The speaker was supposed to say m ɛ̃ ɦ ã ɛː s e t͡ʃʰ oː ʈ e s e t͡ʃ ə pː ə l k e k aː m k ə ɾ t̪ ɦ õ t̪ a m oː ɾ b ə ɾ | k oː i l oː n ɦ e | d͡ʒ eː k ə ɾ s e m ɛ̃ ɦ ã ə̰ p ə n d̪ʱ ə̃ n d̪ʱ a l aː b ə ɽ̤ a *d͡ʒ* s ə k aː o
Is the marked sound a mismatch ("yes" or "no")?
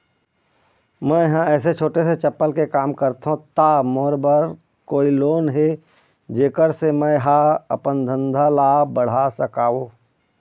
yes